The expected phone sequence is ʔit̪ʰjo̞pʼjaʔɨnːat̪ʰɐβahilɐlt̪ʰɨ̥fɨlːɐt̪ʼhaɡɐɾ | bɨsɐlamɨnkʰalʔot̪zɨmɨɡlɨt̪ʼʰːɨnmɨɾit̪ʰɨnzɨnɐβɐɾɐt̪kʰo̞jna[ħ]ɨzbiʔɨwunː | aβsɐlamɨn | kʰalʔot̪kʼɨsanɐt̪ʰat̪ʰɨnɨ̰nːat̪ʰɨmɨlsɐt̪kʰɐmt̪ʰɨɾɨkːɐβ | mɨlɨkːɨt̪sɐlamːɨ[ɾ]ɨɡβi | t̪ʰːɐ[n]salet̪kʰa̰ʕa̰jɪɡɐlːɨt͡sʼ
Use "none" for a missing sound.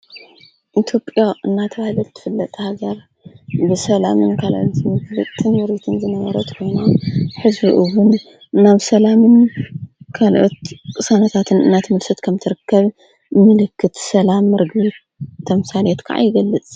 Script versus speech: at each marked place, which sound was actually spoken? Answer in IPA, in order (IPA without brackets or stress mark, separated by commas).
ħ, ɾ, m